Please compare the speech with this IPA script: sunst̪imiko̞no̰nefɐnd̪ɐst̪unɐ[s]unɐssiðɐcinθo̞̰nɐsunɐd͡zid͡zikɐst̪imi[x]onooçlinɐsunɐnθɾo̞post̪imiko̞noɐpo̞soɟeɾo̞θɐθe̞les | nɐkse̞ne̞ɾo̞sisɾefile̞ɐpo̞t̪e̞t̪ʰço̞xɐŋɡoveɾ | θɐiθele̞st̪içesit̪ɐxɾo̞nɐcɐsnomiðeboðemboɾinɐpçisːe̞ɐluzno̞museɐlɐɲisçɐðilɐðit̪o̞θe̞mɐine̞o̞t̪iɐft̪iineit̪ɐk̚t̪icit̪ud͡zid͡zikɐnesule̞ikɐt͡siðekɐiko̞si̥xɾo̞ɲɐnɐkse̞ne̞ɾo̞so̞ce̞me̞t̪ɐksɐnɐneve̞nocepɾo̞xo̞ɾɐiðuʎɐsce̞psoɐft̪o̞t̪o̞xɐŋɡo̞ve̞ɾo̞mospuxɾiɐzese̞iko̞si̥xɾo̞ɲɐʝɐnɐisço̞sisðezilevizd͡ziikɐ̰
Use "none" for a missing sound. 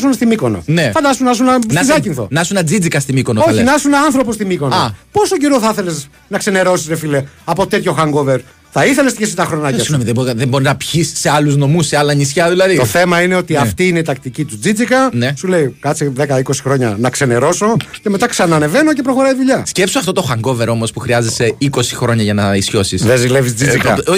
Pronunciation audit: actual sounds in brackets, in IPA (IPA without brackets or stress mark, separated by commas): s, k